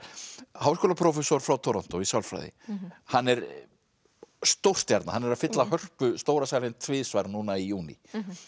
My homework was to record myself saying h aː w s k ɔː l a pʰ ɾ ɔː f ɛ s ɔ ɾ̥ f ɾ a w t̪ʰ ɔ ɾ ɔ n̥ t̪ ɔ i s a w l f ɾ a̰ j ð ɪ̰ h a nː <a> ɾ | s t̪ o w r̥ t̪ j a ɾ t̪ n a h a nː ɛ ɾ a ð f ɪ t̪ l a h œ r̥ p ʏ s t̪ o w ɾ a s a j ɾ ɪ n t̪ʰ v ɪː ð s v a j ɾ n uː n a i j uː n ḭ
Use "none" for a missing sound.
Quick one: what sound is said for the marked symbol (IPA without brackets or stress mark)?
ɛ